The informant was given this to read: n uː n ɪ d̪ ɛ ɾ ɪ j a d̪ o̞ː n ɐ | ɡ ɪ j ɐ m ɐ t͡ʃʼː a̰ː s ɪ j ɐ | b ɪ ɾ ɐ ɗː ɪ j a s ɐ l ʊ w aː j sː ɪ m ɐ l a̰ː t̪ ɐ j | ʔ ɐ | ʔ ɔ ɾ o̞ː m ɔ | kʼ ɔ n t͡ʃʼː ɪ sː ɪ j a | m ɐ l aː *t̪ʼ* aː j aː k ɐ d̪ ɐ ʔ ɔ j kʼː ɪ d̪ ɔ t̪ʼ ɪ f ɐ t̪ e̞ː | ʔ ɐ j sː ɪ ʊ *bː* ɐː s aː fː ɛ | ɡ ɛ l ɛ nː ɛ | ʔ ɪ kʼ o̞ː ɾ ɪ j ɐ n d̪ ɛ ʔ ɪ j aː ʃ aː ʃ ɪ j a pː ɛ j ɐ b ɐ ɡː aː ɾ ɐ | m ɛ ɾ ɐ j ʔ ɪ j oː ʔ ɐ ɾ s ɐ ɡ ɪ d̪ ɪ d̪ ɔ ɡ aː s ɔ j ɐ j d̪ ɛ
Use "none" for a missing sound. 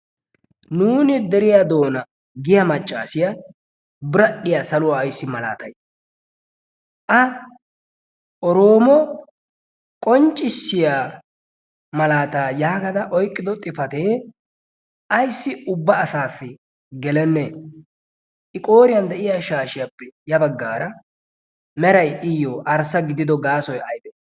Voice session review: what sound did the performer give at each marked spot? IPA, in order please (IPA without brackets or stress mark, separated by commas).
t̪, bː